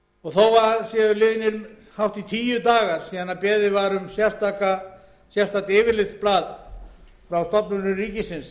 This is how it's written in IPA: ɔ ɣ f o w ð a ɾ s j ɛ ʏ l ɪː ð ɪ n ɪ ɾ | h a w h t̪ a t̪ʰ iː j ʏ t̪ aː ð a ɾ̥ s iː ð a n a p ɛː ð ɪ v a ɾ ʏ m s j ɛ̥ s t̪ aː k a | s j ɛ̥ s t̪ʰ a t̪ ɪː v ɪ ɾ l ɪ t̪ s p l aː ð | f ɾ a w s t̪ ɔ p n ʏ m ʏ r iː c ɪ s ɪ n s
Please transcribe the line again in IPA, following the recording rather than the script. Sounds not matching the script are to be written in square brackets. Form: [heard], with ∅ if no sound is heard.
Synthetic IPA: ɔ ɣ [θ] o w [v] a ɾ s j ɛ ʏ l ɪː ð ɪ n ɪ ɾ | h a w h t̪ [i] t̪ʰ iː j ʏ t̪ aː [ɣ] a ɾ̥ s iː ð a n a p ɛː ð ɪ v a ɾ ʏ m s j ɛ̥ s t̪ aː k a | s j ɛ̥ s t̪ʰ a t̪ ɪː v ɪ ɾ l ɪ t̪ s p l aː ð | f ɾ a w s t̪ ɔ p n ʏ [n] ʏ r iː c ɪ s ɪ n s